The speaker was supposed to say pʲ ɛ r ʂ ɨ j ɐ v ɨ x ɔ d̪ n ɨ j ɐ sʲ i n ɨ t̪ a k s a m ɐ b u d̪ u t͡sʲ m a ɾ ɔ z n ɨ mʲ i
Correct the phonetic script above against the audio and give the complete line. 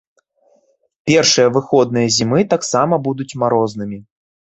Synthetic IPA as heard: pʲ ɛ r ʂ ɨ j ɐ v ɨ x ɔ d̪ n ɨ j ɐ zʲ i m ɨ t̪ a k s a m ɐ b u d̪ u t͡sʲ m a ɾ ɔ z n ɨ mʲ i